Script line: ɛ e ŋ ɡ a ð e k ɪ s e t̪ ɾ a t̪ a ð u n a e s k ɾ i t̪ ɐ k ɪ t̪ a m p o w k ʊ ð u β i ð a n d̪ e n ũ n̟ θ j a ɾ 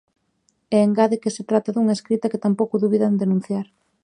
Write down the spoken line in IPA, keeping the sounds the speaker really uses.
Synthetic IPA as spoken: ɛ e ŋ ɡ a ð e k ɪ s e t̪ ɾ a t̪ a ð u ŋ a e s k ɾ i t̪ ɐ k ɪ t̪ a m p o w k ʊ ð u β i ð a n d̪ e n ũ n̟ θ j a ɾ